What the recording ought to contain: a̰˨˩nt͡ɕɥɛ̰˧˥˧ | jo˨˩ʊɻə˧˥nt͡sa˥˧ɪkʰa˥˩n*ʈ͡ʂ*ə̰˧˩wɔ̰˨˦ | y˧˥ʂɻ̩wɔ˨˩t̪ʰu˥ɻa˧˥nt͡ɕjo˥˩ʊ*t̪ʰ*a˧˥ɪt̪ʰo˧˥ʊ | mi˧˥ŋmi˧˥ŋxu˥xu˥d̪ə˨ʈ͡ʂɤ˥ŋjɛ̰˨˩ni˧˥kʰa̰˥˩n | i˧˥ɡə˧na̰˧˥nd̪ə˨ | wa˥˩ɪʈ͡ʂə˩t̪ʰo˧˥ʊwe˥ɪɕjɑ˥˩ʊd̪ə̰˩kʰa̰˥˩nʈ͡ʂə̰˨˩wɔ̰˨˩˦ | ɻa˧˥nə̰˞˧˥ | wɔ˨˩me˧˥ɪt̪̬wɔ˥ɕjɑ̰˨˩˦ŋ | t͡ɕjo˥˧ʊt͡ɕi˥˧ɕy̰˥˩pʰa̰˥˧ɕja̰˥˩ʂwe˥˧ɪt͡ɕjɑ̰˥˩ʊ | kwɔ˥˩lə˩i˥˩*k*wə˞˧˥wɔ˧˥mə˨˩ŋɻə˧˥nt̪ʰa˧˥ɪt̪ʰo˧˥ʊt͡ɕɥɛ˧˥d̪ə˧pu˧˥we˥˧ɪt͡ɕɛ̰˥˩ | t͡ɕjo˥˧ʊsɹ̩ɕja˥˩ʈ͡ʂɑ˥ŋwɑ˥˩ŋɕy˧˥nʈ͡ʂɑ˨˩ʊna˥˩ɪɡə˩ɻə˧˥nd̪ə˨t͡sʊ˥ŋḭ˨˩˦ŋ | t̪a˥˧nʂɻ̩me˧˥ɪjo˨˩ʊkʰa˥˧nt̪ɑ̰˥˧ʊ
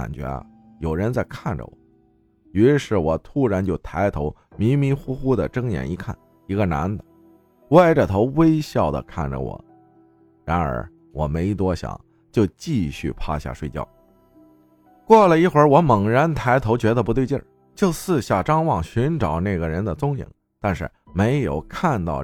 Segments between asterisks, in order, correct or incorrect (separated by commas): correct, correct, incorrect